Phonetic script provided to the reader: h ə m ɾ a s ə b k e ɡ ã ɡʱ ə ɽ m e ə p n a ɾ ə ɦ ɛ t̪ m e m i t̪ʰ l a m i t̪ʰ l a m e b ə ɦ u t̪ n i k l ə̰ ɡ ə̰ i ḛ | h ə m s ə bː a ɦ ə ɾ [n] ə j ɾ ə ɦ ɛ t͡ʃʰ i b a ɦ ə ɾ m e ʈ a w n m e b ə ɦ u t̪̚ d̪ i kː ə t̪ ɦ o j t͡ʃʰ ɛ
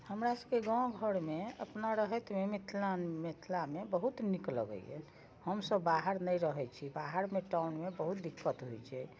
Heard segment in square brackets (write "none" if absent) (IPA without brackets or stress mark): n